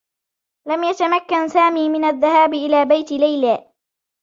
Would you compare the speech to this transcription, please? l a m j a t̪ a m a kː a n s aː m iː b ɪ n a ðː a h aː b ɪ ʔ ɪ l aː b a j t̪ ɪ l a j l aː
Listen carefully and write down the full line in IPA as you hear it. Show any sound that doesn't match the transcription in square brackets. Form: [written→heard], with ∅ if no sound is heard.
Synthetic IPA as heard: l a m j a t̪ a m a kː a n s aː m iː [b→m] ɪ n a ðː a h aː b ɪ ʔ ɪ l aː b a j t̪ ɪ l a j l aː